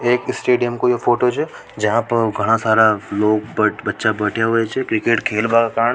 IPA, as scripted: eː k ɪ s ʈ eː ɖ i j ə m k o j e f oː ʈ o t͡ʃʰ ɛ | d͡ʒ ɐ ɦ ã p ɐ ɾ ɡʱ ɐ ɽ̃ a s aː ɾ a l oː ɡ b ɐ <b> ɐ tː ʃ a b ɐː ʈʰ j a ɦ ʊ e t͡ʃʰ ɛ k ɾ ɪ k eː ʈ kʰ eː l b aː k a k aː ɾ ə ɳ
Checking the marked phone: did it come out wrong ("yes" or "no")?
no